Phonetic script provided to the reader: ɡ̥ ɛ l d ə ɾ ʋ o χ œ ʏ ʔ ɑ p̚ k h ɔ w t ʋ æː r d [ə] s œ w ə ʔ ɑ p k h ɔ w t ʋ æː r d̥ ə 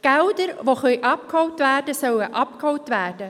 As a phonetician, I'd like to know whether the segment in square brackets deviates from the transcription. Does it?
no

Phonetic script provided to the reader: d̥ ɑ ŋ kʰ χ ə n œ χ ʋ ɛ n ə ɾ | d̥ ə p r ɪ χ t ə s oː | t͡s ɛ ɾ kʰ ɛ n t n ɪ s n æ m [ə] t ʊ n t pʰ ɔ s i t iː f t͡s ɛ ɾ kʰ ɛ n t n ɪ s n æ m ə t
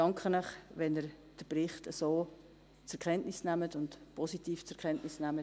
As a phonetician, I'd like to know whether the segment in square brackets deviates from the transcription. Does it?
no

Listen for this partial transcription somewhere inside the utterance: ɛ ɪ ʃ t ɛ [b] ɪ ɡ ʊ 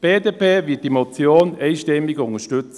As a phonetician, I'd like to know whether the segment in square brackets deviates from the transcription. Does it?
yes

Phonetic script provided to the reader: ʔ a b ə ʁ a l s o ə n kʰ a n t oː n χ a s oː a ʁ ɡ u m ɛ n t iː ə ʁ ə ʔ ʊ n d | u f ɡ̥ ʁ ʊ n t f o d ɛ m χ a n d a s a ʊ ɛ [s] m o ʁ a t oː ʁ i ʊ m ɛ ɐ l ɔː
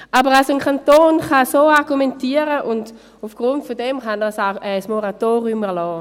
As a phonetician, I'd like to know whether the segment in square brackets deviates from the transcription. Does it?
no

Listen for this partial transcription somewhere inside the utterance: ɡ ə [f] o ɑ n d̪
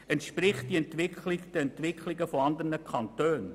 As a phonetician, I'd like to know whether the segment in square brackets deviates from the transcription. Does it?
no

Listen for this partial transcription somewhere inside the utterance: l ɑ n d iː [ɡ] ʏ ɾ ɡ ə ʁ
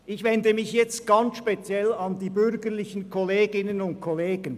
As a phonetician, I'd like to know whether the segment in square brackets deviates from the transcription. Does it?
yes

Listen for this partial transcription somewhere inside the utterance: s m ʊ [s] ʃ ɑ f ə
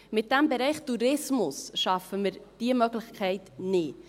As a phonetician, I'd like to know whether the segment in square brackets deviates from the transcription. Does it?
no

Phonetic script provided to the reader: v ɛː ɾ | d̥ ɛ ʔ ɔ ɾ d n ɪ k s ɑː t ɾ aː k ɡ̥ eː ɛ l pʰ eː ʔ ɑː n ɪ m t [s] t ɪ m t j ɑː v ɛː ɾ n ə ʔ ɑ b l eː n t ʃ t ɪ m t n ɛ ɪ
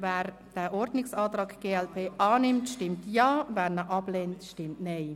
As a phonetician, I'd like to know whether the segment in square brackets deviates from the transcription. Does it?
yes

